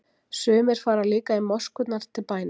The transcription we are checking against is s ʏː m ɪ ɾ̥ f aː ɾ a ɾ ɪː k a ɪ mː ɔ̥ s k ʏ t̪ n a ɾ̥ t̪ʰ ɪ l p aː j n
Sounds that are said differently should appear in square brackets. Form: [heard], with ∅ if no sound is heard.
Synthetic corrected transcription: s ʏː m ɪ ɾ̥ f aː ɾ a [l] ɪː k a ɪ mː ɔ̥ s k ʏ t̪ n a ɾ̥ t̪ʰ ɪ l p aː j n